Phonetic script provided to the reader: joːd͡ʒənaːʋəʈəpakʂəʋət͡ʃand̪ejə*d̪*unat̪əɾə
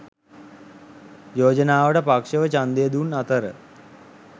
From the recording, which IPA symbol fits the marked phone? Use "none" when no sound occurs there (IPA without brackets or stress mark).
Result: d̪